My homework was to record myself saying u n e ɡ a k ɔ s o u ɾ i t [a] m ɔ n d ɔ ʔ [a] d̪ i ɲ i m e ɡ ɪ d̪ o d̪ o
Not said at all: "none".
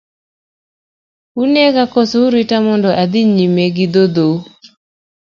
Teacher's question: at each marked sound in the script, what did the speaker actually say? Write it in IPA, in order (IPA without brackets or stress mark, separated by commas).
a, a